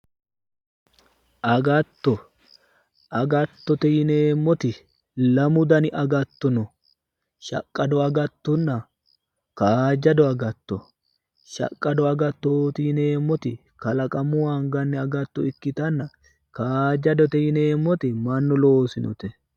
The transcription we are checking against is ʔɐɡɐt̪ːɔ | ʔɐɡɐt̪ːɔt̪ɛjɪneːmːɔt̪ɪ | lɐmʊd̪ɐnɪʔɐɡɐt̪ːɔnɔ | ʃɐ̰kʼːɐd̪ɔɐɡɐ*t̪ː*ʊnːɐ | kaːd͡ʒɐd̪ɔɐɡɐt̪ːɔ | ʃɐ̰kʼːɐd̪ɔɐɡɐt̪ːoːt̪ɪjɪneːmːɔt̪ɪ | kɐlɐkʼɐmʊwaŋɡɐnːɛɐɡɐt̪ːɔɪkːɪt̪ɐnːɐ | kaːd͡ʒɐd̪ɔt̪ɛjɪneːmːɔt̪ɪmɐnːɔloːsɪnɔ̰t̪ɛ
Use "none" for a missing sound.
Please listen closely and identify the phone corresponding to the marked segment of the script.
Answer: t̪ː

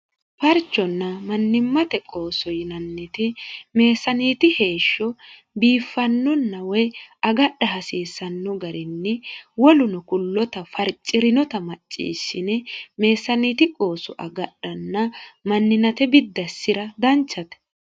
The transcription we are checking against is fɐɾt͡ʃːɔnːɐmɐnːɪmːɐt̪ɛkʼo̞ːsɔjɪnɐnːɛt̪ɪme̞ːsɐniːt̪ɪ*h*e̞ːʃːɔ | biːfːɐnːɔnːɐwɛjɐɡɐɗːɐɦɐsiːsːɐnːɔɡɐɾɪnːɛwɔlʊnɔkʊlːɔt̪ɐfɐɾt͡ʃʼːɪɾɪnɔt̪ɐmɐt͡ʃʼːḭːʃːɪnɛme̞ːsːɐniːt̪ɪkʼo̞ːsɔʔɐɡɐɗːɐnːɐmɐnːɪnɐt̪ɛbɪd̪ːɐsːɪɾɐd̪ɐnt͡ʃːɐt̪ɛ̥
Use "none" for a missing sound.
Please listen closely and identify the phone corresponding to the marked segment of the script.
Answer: h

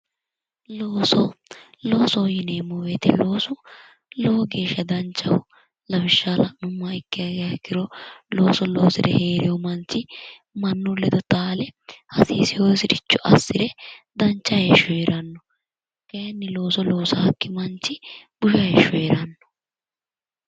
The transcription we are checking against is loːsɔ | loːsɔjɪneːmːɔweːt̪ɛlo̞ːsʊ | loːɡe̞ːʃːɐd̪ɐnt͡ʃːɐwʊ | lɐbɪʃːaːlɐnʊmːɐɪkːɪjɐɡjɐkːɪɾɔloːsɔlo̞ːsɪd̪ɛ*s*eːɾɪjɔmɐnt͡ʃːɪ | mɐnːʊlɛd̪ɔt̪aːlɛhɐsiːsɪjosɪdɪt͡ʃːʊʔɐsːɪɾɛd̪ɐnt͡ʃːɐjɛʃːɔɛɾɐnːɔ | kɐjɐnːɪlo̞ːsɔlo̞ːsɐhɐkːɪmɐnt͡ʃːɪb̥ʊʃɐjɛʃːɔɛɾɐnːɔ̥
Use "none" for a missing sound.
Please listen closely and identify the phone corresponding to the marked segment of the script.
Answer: h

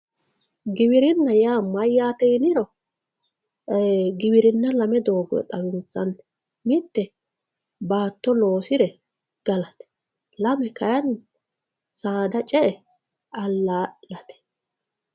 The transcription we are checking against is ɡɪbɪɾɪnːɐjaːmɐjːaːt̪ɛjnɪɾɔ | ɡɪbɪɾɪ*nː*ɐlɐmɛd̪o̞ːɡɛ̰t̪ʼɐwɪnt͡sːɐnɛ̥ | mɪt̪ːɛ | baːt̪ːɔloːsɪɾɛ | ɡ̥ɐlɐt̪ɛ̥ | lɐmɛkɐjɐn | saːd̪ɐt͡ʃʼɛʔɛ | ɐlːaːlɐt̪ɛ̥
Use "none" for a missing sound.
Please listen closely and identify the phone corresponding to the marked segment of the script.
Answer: nː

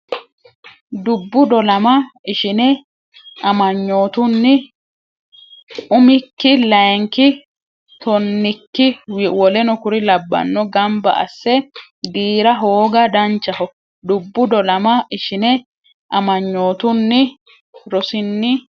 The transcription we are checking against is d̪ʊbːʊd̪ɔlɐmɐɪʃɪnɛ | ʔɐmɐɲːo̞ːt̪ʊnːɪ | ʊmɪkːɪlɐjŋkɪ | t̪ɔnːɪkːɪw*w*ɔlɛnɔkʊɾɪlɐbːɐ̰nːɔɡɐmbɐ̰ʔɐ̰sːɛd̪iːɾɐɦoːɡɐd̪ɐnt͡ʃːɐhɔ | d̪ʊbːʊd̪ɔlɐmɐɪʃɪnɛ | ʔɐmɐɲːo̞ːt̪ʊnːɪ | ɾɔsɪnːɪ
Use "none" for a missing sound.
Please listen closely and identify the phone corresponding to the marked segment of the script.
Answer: w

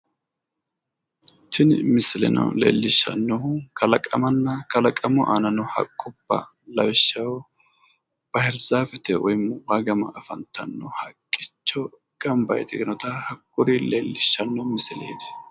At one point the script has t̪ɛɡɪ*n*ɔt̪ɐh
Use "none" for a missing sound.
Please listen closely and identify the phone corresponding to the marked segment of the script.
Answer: n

